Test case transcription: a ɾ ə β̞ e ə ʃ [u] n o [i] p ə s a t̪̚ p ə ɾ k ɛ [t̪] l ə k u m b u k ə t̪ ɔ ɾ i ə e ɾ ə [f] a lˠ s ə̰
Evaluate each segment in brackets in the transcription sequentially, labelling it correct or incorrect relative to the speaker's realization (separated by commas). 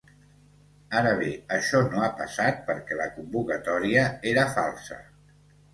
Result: incorrect, incorrect, incorrect, correct